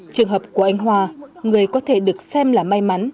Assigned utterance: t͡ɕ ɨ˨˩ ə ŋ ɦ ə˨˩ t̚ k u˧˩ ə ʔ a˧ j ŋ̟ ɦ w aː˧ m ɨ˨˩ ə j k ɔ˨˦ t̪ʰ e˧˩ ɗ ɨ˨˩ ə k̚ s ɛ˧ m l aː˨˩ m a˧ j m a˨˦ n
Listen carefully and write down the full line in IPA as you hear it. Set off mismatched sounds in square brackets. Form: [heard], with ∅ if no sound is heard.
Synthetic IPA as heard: t͡ɕ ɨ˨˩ ə ŋ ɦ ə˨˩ [p̚] k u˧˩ ə ʔ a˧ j ŋ̟ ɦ w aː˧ [ŋ] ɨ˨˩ ə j k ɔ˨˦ t̪ʰ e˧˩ ɗ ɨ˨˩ ə k̚ s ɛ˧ m l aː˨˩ m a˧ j m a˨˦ n